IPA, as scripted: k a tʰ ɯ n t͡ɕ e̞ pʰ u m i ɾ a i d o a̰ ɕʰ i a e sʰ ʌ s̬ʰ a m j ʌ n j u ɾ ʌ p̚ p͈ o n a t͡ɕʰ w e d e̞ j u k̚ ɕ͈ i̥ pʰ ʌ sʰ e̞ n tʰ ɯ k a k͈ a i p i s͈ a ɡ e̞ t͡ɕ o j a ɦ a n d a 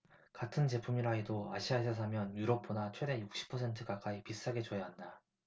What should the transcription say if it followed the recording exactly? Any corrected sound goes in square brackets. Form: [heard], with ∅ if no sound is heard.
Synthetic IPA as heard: k a tʰ ɯ n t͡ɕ e̞ pʰ u m i ɾ a i d o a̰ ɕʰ i a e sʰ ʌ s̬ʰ a m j ʌ n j u ɾ ʌ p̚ p͈ o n a t͡ɕʰ w e d e̞ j u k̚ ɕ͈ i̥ pʰ ʌ sʰ e̞ n tʰ ɯ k a k͈ a i p i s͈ a ɡ e̞ t͡ɕ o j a ɦ a n d a